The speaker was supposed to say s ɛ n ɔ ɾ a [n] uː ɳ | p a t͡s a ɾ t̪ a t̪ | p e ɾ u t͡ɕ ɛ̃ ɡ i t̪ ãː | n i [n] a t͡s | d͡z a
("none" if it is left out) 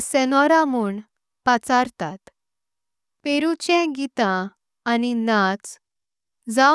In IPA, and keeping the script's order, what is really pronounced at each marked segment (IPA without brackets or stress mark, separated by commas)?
m, n